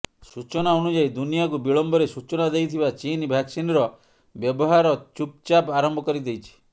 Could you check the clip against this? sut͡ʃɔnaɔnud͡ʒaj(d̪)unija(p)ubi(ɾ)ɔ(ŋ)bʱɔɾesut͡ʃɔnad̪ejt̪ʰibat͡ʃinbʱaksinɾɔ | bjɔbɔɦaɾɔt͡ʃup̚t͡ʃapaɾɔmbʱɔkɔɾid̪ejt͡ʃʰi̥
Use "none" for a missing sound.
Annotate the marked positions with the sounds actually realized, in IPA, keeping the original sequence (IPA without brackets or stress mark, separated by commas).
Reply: d̪, k, ɭ, m